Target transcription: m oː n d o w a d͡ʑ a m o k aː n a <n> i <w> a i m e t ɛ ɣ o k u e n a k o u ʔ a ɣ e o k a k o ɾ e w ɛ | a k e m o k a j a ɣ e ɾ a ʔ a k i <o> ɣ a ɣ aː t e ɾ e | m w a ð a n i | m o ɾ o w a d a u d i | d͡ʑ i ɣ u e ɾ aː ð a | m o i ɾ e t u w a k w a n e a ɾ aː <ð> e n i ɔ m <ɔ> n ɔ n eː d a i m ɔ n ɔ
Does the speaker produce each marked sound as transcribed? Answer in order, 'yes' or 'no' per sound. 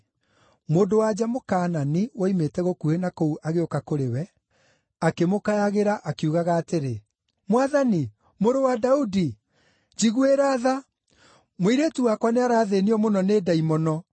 yes, yes, no, yes, no

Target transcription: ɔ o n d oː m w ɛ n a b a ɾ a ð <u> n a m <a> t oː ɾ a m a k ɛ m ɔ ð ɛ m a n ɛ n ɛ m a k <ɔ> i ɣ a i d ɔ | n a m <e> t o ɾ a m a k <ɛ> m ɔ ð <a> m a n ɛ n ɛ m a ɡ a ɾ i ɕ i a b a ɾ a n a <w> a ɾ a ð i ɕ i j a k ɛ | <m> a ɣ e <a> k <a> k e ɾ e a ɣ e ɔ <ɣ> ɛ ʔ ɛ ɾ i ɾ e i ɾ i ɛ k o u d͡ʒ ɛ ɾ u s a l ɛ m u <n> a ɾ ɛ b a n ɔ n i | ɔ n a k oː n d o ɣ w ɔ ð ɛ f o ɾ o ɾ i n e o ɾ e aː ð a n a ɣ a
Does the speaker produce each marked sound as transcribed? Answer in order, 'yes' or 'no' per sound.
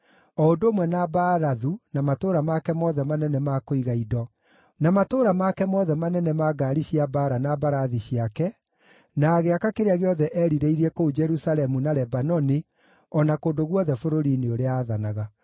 yes, yes, no, no, yes, no, no, no, yes, yes, no, yes

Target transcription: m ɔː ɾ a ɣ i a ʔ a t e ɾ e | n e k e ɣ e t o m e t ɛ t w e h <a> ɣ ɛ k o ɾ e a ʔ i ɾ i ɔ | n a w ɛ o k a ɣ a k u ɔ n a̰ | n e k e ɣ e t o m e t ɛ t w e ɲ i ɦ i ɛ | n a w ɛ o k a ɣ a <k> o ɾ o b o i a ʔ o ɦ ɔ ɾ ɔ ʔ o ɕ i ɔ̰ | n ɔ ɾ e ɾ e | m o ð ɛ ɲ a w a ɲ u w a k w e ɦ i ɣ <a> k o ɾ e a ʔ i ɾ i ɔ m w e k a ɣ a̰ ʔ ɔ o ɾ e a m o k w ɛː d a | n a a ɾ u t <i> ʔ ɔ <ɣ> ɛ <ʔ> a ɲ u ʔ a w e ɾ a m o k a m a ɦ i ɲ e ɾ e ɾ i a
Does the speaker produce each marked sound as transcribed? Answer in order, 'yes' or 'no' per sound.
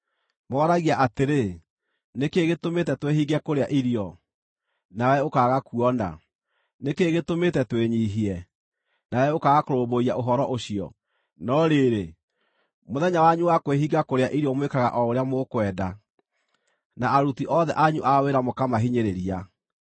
no, yes, yes, yes, no, yes

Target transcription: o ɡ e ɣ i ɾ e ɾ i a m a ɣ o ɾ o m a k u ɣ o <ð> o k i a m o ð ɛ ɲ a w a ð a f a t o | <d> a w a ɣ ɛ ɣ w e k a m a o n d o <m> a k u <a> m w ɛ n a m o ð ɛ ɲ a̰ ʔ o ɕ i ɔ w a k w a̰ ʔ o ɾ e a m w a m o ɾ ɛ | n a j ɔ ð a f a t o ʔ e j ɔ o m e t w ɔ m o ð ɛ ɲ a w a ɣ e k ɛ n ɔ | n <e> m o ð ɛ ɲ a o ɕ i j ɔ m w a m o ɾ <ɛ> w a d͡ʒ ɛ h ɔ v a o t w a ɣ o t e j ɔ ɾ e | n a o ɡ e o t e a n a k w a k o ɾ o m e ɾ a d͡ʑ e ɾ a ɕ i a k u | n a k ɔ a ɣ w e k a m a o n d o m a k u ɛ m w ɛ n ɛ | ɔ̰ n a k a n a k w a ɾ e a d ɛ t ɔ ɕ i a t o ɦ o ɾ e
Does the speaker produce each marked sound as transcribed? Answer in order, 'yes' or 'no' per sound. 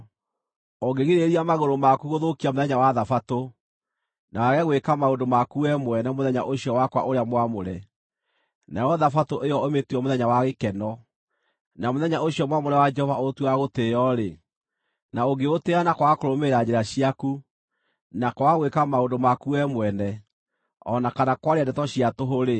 yes, no, yes, no, no, yes

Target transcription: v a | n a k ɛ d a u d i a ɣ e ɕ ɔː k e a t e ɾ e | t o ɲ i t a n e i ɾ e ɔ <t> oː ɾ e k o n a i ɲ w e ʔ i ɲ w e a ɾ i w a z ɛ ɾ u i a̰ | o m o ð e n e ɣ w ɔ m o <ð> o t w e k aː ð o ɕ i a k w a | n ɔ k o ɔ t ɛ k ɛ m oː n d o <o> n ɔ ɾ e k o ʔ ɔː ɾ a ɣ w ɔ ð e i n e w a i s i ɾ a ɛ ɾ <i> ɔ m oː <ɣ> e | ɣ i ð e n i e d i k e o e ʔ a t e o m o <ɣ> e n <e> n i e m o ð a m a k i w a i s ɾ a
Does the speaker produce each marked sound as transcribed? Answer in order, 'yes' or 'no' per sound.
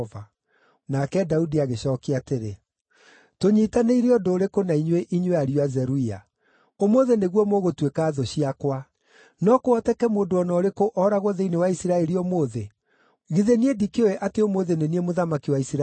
no, no, no, yes, no, no, yes

